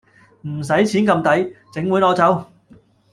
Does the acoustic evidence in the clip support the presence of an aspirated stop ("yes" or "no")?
yes